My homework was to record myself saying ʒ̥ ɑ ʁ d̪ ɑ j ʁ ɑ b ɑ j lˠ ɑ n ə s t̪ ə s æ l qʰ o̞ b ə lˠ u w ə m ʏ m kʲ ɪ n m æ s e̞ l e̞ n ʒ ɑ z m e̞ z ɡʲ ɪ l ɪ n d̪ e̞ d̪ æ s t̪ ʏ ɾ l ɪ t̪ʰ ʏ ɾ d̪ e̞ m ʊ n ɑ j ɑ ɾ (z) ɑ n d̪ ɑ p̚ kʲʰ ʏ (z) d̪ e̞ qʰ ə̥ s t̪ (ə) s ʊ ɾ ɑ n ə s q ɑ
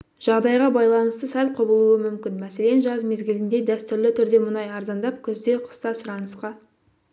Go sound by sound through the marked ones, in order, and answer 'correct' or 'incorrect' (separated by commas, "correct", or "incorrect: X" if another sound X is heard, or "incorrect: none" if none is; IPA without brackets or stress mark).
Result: correct, correct, incorrect: ɑ